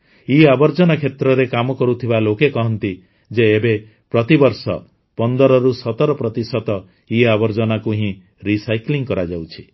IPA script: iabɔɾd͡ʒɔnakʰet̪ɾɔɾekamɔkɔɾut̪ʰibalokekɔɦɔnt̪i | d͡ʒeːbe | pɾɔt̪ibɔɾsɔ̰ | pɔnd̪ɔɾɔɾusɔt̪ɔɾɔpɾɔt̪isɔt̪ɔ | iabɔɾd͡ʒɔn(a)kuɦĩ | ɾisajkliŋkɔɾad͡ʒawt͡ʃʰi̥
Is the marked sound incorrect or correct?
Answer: correct